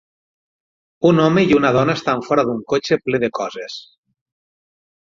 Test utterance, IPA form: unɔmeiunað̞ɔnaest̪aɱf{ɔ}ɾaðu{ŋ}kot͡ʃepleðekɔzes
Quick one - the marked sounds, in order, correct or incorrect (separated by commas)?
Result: correct, correct